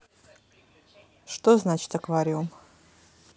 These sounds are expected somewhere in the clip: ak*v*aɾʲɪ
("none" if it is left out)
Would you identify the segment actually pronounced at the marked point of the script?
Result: v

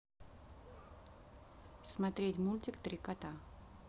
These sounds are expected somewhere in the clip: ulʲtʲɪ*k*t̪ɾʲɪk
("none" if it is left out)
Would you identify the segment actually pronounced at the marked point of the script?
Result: k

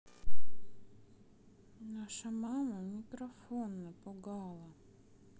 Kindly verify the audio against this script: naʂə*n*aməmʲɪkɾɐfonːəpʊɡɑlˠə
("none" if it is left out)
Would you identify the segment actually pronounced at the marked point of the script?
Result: m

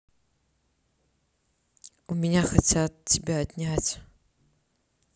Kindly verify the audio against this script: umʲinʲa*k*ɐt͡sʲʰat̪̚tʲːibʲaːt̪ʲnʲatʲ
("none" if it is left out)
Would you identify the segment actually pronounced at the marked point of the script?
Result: x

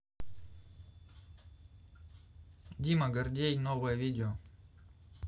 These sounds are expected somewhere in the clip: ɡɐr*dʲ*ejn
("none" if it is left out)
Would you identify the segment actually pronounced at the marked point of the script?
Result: dʲ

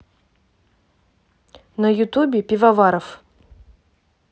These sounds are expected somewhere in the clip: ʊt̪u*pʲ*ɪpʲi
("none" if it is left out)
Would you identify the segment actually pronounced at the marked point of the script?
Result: bʲ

